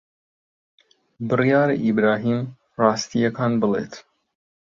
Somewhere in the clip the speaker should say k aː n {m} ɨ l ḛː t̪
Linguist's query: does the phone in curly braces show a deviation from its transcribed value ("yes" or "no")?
yes